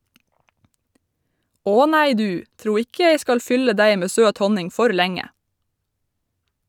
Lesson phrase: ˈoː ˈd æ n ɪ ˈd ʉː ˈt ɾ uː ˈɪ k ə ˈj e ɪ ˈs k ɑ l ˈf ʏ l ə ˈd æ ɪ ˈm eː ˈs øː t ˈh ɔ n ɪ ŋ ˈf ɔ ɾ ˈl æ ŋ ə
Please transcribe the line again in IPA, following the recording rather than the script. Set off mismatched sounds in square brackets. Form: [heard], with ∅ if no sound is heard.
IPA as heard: ˈoː [ˈn] æ [∅] ɪ ˈd ʉː ˈt ɾ uː ˈɪ k ə ˈj e ɪ ˈs k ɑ l ˈf ʏ l ə ˈd æ ɪ ˈm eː ˈs øː t ˈh ɔ n ɪ ŋ ˈf ɔ ɾ ˈl æ ŋ ə